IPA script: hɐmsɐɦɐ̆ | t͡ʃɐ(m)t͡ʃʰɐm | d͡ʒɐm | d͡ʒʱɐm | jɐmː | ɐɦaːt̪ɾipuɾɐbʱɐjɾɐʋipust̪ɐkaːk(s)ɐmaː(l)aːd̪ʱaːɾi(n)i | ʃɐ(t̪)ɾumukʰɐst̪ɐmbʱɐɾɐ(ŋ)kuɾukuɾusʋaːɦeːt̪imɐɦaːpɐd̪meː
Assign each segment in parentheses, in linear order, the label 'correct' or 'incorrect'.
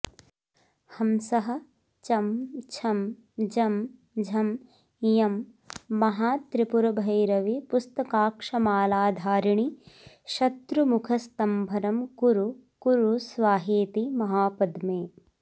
correct, incorrect: ʂ, correct, incorrect: ɳ, correct, incorrect: m

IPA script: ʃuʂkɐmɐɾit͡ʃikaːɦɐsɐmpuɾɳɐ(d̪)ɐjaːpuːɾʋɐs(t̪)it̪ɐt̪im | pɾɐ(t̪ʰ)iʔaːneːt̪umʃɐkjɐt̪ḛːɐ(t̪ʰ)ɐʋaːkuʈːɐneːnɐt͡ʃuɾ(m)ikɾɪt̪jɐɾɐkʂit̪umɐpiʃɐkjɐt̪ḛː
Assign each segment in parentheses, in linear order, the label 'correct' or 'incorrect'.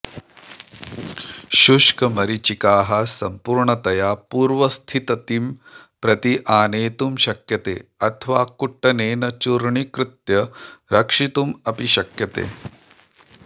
incorrect: t̪, incorrect: t̪ʰ, incorrect: t̪, correct, incorrect: ɳ

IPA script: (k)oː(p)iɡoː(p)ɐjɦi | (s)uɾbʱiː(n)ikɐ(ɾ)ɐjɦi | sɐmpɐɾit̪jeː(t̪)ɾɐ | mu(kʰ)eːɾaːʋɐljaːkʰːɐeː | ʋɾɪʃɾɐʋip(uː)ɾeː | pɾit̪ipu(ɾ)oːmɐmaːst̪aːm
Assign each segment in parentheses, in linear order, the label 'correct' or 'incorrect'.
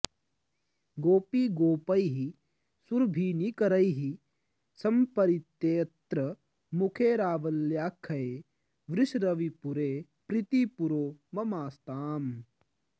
incorrect: ɡ, correct, correct, correct, correct, correct, correct, correct, incorrect: u, correct

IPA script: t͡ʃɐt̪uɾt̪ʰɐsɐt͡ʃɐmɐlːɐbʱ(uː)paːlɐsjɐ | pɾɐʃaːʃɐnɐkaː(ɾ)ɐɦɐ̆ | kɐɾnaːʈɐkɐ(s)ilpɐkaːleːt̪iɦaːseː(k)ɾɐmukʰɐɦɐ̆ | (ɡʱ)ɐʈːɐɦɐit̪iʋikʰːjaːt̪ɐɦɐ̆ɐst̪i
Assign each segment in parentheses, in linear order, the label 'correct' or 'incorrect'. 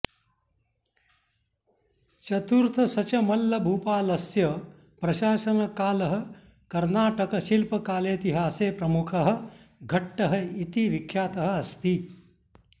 correct, incorrect: l, incorrect: ʃ, incorrect: p, correct

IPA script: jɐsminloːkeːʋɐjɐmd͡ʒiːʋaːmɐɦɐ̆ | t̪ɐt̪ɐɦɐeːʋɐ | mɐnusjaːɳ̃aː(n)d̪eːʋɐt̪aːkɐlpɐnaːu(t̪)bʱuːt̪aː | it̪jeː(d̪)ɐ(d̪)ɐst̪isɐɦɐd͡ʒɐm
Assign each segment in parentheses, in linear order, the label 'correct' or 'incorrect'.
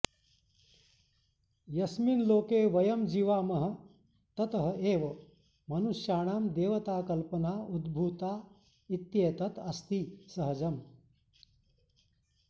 incorrect: m, incorrect: d̪, incorrect: t̪, incorrect: t̪

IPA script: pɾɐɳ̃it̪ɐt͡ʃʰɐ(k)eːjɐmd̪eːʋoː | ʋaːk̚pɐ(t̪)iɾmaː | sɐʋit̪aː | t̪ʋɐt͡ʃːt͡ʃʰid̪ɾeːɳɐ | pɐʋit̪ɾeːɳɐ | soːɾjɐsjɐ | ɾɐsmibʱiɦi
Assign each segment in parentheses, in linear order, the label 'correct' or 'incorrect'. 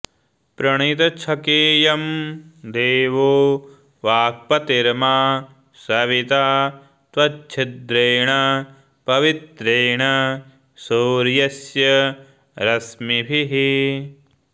correct, correct

